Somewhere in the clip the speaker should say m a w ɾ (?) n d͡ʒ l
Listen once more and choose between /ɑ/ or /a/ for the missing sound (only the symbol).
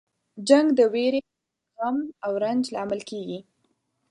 a